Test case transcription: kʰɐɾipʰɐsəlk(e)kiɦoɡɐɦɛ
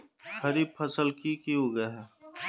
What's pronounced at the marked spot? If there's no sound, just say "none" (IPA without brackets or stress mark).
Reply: i